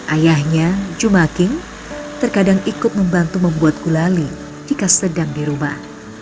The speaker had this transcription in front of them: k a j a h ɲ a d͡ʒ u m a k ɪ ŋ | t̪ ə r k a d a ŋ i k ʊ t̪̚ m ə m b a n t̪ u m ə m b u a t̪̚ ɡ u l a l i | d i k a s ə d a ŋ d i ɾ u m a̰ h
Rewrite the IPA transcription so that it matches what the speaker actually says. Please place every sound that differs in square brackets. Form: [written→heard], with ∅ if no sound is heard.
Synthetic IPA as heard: [k→ʔ] a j a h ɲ a d͡ʒ u m a k ɪ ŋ | t̪ ə r k a d a ŋ i k ʊ t̪̚ m ə m b a n t̪ u m ə m b u a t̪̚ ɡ u l a l i | [d→d͡ʒ] i k a s ə d a ŋ d i ɾ u m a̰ h